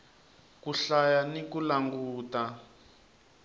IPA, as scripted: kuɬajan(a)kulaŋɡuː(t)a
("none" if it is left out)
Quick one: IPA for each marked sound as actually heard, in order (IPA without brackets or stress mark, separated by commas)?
i, t